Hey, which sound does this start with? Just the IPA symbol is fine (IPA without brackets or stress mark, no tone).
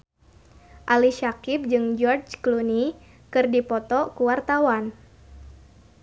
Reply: ʔ